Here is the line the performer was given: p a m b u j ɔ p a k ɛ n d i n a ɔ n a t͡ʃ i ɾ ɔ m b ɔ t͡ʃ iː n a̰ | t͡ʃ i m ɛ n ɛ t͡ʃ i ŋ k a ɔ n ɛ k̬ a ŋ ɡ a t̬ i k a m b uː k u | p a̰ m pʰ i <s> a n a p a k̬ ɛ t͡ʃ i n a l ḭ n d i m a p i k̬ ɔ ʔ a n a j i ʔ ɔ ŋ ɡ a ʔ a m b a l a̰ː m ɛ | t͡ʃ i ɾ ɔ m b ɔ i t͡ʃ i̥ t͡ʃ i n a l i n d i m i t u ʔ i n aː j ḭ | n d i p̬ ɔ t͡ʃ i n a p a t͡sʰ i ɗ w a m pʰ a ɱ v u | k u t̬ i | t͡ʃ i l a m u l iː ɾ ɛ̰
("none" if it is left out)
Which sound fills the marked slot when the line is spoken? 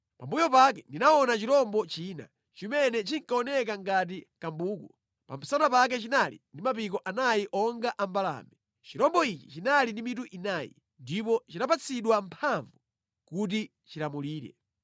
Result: s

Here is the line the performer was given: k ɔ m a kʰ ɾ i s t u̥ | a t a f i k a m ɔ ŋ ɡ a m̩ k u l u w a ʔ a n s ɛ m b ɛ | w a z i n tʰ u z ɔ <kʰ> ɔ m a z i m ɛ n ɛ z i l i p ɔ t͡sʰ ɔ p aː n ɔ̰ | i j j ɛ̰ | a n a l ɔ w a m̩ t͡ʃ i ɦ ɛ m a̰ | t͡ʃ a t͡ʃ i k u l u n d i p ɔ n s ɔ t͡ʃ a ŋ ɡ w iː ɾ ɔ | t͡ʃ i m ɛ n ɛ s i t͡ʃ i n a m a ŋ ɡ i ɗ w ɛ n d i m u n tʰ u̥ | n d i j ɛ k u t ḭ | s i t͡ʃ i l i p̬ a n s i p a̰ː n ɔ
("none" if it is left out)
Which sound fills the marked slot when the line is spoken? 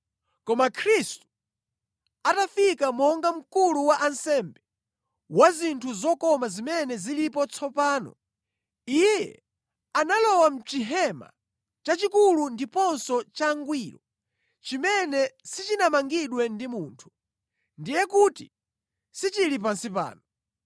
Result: k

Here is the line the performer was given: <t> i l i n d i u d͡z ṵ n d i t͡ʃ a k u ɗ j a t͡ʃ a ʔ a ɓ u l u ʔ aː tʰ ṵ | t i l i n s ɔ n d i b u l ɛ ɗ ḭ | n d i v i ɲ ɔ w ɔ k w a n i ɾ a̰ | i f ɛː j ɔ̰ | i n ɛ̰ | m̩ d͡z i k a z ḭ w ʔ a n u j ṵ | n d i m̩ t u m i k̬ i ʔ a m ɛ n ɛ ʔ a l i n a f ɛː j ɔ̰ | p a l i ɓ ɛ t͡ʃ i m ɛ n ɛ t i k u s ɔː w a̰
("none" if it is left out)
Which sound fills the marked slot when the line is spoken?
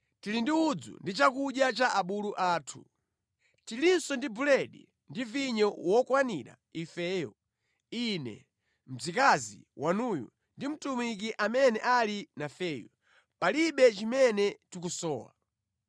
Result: t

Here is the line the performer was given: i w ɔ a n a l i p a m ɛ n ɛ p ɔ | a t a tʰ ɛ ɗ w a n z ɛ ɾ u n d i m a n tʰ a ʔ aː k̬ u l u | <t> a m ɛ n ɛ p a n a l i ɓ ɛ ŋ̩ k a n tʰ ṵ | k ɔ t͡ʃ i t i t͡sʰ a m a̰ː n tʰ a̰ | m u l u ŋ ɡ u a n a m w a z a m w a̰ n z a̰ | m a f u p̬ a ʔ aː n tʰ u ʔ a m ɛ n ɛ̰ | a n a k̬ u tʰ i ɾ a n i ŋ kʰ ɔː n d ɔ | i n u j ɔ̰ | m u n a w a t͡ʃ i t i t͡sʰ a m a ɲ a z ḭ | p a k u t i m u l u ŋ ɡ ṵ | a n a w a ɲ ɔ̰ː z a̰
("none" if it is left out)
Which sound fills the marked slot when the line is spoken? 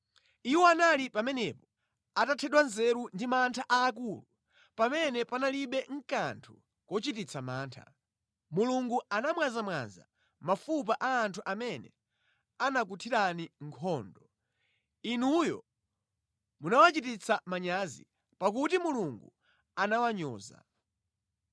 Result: p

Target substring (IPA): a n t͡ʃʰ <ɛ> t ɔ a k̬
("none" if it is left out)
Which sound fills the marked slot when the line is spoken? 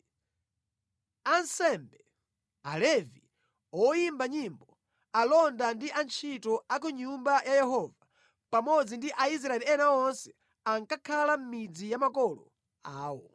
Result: i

